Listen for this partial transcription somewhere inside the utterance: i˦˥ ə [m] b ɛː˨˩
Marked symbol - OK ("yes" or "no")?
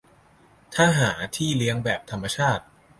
no